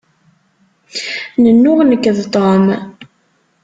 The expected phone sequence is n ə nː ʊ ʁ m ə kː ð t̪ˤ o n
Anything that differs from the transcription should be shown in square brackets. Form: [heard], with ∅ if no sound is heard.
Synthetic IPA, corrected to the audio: n ə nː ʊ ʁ [n] ə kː ð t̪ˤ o [m]